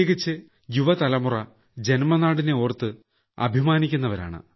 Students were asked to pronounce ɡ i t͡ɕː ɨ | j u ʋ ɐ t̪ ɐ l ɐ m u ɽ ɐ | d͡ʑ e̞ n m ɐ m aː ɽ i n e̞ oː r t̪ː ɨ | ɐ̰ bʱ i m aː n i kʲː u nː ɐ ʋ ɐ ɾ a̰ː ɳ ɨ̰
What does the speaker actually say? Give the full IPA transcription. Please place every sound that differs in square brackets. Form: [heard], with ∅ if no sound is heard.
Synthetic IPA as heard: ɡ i t͡ɕː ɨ | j u ʋ ɐ t̪ ɐ l ɐ m u [r] ɐ | d͡ʑ e̞ n m ɐ [n] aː ɽ i n e̞ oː r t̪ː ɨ | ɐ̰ bʱ i m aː n i kʲː u nː ɐ ʋ ɐ ɾ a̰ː ɳ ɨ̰